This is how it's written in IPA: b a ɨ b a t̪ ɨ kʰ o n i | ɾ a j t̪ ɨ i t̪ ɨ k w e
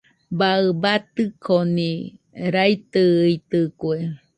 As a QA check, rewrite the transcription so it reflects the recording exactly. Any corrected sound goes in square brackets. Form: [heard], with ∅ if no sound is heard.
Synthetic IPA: b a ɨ b a t̪ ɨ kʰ o n i | ɾ a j t̪ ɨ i t̪ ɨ k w e